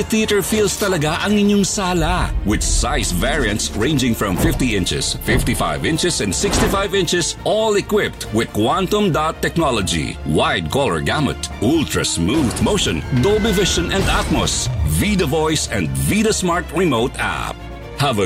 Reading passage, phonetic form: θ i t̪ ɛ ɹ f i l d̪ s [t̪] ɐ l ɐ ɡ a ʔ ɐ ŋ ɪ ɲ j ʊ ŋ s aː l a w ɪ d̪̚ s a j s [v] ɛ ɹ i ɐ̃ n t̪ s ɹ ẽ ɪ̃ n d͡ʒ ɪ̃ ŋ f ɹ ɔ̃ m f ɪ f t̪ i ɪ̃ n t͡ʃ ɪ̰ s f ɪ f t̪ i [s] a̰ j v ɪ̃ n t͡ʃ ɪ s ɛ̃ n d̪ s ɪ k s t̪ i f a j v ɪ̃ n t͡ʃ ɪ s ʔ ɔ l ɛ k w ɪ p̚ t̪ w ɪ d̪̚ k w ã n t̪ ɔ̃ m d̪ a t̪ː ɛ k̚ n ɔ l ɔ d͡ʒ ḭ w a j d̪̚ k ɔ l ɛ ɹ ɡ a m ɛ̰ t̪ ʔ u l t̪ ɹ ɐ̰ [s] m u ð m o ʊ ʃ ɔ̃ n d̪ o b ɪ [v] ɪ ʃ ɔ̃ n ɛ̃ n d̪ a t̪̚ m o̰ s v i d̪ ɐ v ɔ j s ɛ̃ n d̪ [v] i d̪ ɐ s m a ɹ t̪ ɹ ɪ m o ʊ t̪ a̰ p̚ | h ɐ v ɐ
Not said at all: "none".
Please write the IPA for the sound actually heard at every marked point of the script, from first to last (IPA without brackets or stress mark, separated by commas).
t̪, v, f, s, v, v